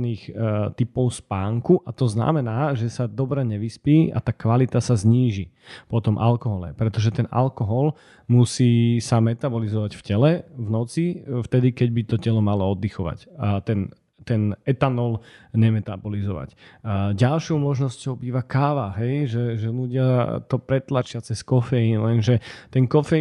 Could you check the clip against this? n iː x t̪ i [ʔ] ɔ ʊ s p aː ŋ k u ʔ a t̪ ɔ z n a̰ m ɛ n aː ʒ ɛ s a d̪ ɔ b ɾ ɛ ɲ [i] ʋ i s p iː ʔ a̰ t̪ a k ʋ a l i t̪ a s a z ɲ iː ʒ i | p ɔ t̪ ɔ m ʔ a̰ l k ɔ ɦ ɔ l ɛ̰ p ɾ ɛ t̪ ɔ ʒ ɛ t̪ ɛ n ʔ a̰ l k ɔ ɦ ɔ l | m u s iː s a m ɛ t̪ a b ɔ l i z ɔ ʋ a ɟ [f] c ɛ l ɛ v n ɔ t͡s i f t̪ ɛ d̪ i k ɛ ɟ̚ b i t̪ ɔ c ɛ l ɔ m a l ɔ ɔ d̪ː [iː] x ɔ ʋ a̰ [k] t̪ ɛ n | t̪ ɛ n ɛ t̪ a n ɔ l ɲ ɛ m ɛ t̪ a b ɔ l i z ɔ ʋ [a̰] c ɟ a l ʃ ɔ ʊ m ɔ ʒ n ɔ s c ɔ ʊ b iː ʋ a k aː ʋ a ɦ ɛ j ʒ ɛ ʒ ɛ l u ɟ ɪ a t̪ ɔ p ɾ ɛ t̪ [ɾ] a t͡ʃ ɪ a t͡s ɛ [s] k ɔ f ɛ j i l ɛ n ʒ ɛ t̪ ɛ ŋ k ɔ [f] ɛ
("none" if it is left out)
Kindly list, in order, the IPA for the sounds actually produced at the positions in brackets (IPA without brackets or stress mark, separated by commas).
p, ɛ, f, i, c, a̰, l, s, f